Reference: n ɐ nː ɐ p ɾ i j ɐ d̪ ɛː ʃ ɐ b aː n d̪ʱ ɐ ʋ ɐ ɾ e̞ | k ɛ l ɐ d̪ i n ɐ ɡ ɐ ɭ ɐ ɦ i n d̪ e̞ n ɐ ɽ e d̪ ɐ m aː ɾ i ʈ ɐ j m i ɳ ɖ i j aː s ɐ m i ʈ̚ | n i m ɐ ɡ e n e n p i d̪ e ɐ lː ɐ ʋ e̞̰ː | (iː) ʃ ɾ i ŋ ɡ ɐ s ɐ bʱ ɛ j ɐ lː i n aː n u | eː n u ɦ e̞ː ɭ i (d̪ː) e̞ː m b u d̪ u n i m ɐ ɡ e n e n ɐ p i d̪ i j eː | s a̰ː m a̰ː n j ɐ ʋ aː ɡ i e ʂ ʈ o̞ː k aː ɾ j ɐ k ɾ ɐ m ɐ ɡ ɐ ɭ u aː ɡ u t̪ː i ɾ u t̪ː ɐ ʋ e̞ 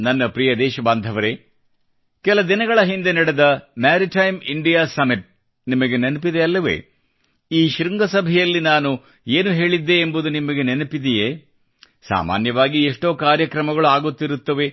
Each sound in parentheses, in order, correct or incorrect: correct, correct

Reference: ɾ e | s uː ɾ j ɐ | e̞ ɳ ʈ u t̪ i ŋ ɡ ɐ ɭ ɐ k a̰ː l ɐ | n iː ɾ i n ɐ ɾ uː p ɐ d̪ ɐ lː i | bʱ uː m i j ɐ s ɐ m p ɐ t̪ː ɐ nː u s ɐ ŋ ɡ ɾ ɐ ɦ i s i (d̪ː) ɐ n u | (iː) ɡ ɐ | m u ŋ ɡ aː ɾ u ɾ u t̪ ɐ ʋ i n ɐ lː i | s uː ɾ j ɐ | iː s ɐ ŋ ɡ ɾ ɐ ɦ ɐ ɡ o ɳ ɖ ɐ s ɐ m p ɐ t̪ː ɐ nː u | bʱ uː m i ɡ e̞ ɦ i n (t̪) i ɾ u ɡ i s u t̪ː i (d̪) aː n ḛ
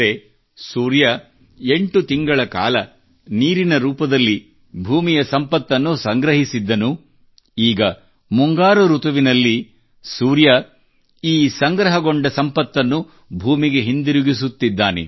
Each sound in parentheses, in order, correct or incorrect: correct, correct, incorrect, incorrect

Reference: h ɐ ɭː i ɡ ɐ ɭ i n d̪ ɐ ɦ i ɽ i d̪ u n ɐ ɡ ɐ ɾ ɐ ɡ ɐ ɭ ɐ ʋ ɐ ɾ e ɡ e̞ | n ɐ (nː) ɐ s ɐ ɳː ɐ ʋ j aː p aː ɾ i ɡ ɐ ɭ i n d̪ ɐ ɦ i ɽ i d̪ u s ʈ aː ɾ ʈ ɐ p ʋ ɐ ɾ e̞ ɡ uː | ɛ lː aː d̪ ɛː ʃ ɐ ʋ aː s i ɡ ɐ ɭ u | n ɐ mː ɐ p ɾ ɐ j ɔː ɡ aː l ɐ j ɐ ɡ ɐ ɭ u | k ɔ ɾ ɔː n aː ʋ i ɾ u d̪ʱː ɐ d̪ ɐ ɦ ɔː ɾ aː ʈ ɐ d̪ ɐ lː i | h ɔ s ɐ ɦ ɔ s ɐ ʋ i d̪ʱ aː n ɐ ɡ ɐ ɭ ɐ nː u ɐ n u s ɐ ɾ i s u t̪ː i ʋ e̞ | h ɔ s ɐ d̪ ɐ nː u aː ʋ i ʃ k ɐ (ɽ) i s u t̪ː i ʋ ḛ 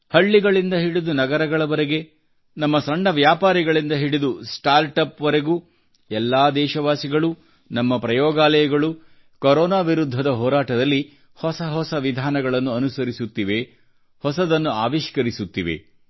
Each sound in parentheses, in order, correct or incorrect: incorrect, incorrect

